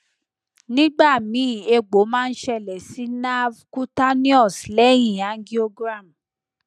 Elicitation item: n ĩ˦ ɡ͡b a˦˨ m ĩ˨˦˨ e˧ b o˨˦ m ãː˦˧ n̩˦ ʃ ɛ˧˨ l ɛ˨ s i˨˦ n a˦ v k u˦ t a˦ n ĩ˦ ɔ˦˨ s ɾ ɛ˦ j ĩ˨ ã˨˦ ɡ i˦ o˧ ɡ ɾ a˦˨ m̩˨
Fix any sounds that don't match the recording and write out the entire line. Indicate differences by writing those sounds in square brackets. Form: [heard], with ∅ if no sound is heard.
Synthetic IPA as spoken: n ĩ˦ ɡ͡b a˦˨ m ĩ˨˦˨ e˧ [ɡ͡b] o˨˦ m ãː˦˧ n̩˦ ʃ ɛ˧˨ l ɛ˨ s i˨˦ n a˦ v k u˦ t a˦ n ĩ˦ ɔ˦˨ s [l] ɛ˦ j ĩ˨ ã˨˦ ɡ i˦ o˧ ɡ ɾ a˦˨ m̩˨